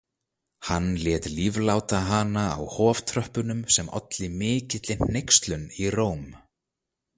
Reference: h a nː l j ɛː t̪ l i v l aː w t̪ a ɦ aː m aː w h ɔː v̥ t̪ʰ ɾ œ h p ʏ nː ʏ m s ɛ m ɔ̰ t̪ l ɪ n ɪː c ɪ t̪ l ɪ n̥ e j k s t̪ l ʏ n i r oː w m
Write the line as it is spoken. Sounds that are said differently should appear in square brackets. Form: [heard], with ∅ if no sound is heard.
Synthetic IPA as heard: h a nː l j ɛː t̪ l i v l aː w t̪ a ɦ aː [n] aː w h ɔː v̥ t̪ʰ ɾ œ h p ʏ [n] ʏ m s ɛ m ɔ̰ t̪ l ɪ [m] ɪː c ɪ t̪ l ɪ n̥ e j k s t̪ l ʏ n i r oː w m